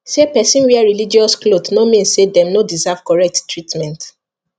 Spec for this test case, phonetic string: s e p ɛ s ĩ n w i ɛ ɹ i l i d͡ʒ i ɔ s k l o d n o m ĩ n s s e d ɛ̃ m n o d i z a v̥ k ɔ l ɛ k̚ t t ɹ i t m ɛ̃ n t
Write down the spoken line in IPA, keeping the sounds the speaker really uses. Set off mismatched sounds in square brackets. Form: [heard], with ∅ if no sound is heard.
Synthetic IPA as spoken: s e p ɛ s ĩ n w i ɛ ɹ i l i d͡ʒ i ɔ s k l o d n o m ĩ n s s e d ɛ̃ m n o d i z a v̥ k ɔ [ɹ] ɛ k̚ t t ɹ i t m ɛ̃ n t